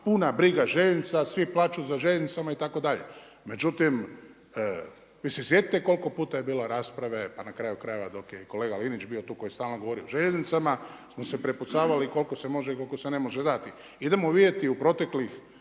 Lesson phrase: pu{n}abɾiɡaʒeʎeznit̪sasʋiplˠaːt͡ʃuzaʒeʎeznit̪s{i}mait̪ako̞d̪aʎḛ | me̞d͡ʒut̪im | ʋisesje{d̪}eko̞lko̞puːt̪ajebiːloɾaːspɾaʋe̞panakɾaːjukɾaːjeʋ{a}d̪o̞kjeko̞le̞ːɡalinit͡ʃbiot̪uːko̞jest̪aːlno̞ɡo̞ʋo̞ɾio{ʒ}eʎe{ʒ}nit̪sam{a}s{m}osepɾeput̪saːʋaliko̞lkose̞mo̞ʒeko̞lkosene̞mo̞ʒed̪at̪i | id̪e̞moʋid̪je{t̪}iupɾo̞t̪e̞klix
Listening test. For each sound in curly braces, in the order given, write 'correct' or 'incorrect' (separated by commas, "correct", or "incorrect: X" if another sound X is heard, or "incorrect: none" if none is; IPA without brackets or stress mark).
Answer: correct, incorrect: a, incorrect: t̪, correct, correct, incorrect: z, correct, correct, correct